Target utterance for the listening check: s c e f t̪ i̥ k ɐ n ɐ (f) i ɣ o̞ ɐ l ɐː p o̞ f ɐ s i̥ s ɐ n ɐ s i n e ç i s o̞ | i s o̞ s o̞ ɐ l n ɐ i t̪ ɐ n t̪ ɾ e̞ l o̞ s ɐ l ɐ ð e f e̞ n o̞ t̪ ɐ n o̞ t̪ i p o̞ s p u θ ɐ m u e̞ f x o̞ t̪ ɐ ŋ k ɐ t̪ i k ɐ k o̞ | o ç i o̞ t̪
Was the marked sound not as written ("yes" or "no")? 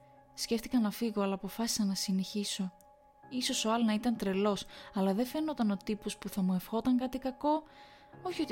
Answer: no